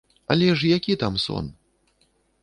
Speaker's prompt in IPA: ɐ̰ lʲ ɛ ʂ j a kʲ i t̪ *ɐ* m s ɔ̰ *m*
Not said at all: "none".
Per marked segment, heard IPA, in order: a, n

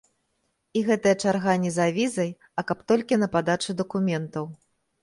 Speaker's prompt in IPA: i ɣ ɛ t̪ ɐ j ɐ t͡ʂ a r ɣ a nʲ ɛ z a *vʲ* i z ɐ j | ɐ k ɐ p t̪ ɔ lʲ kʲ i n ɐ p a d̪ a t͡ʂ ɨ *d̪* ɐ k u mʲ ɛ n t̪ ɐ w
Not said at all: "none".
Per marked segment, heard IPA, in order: vʲ, d̪

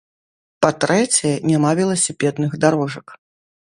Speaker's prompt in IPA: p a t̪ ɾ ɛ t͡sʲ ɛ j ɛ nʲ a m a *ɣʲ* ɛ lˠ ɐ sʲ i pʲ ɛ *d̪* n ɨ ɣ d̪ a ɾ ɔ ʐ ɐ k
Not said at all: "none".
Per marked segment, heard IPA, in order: vʲ, d̪

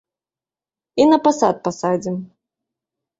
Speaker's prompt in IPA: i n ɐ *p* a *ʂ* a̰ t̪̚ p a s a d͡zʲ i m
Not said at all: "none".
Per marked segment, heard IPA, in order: p, s

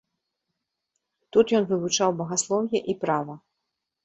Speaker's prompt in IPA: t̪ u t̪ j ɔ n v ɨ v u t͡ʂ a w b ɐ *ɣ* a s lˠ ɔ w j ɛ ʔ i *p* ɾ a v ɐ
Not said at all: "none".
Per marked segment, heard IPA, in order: ɣ, p

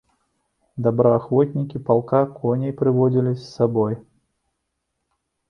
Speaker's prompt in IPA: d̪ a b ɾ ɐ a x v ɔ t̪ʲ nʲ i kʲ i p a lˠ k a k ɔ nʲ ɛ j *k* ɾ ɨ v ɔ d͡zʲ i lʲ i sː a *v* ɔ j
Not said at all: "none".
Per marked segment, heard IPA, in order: p, b

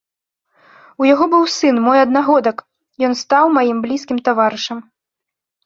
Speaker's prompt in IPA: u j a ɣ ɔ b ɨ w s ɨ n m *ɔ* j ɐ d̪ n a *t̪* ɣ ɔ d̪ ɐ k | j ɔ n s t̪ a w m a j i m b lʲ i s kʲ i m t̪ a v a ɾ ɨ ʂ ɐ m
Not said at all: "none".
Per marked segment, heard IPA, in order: ɔ, none

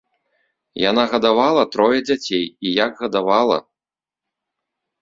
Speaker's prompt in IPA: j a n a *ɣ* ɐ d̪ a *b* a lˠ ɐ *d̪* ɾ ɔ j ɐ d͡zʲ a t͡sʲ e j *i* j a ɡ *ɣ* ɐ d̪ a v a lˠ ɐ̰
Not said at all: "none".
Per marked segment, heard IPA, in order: ɣ, v, t̪, i, ɣ

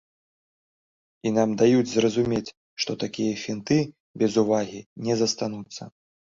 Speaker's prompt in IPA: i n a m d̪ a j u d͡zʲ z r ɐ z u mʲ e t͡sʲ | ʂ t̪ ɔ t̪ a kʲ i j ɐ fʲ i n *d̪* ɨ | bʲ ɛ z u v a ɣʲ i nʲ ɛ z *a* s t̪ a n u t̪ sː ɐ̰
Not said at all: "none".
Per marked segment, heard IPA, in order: t̪, ɐ

